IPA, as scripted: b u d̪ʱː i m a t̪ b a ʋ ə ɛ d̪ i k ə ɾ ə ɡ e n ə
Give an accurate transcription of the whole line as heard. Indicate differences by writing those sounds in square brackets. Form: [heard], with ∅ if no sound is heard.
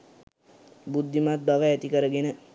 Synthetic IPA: b u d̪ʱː i m a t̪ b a ʋ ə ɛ [t̪] i k ə ɾ ə ɡ e n ə